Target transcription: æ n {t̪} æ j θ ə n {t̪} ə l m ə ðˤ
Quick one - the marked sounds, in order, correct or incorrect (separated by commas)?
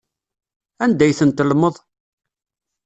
incorrect, correct